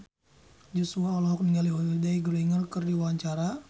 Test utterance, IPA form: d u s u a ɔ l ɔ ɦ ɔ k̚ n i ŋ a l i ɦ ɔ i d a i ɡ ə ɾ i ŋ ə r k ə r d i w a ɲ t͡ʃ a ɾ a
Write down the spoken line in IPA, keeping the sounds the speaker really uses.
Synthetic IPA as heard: d͡ʒ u s u a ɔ l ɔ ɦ ɔ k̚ n i ŋ a l i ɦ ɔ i d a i ɡ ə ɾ i ŋ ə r k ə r d i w a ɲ t͡ʃ a ɾ a